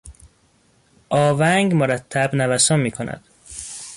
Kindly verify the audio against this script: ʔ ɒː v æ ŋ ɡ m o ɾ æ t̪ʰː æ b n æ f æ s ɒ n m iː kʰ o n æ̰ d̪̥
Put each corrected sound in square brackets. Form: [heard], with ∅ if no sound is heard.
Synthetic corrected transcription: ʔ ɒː v æ ŋ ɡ m o ɾ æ t̪ʰː æ b n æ [v] æ s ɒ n m iː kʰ o n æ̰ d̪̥